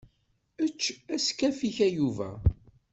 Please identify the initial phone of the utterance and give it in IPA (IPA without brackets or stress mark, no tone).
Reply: ə